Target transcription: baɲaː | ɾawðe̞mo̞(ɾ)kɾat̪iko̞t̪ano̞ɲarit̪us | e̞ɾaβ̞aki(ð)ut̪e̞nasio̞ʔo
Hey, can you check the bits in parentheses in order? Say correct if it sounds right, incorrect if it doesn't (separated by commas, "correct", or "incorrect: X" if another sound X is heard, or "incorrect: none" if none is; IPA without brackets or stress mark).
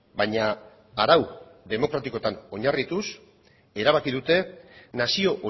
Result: incorrect: none, correct